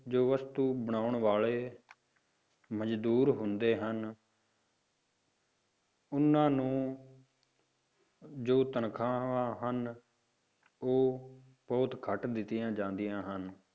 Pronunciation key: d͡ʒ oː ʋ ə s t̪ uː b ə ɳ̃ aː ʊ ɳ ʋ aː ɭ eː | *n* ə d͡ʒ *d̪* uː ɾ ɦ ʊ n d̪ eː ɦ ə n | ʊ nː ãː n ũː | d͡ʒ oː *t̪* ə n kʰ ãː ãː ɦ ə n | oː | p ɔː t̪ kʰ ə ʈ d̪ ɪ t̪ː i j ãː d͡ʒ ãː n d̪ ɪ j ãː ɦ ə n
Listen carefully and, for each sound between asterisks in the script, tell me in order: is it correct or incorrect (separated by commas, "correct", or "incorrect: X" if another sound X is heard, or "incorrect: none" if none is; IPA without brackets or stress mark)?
incorrect: m, correct, correct